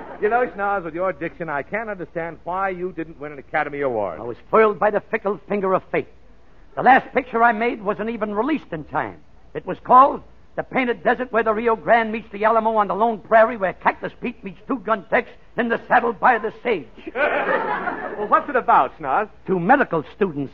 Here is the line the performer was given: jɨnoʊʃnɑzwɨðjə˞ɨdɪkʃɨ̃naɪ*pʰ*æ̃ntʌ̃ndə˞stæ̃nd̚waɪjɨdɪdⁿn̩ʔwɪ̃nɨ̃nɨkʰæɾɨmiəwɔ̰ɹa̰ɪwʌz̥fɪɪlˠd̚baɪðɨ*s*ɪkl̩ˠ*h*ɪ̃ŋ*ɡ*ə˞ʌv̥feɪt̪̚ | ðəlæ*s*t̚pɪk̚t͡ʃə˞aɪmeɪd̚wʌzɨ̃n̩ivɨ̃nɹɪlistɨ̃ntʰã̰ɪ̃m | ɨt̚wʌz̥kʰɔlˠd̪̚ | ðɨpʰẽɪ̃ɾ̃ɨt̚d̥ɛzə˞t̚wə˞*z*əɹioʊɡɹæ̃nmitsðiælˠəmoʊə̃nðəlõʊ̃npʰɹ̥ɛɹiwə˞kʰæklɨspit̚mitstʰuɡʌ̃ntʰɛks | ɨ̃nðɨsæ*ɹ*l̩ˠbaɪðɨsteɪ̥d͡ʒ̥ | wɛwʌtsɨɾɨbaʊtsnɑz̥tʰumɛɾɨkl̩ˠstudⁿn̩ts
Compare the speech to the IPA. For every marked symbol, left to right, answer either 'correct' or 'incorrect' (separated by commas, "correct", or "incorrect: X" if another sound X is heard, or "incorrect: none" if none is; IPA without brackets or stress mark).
incorrect: kʰ, incorrect: f, incorrect: f, correct, correct, incorrect: ð, incorrect: ɾ